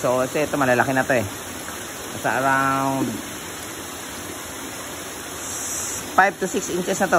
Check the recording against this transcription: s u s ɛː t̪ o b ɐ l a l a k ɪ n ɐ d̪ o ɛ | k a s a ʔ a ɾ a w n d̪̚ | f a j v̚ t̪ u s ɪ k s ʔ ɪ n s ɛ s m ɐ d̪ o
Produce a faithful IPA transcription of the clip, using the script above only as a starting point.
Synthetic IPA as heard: s o s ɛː t̪ o m ɐ l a l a k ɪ n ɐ t̪ o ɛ | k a s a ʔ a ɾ a w n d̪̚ | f a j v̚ t̪ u s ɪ k s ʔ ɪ n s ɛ s n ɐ t̪ o

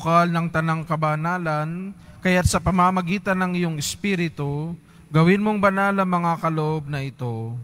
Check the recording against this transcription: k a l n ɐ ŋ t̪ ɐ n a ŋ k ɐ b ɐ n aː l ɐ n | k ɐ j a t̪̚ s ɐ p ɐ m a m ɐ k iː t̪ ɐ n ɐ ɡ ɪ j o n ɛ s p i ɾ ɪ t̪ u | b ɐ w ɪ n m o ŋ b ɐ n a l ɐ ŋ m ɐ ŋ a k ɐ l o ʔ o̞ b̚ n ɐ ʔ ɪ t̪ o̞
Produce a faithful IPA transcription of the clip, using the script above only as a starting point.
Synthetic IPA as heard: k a l n ɐ ŋ t̪ ɐ n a ŋ k ɐ b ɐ n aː l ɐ n | k ɐ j a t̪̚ s ɐ p ɐ m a m ɐ ɡ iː t̪ ɐ n ɐ ŋ ɪ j o ŋ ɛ s p i ɾ ɪ t̪ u | ɡ ɐ w ɪ n m o ŋ b ɐ n a l ɐ ŋ m ɐ ŋ a k ɐ l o ʔ o̞ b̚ n ɐ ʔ ɪ t̪ o̞

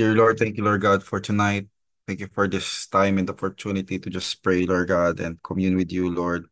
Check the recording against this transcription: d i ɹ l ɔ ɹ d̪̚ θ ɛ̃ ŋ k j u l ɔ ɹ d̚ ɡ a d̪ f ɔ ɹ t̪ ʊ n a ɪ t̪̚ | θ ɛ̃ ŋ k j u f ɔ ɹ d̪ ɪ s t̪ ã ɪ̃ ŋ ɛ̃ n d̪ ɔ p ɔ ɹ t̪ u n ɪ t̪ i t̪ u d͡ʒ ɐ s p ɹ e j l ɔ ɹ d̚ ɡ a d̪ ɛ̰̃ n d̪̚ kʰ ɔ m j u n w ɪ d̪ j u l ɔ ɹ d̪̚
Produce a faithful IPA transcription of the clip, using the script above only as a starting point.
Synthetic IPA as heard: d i ɹ l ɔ ɹ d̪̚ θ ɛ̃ ŋ k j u l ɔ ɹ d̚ ɡ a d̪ f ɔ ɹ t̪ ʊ n a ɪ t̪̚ | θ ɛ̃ ŋ k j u f ɔ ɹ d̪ ɪ s t̪ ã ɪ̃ m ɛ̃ n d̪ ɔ p ɔ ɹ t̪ u n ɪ t̪ i t̪ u d͡ʒ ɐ s p ɹ e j l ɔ ɹ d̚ ɡ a d̪ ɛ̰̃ n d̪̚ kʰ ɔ m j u n w ɪ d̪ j u l ɔ ɹ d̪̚

